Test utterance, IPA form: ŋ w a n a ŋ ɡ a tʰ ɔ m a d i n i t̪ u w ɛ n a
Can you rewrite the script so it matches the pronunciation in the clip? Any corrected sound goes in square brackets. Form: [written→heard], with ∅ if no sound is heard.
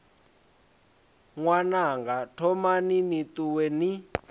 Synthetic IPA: ŋ w a n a ŋ ɡ a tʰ ɔ m a [d→n] i n i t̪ u w ɛ n [a→i]